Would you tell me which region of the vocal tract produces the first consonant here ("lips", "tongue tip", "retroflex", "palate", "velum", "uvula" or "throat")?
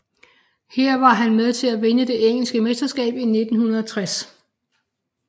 throat